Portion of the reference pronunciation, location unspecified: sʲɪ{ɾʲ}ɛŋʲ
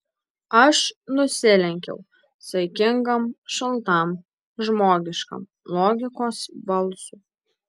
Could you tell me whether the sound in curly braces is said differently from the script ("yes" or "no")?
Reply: yes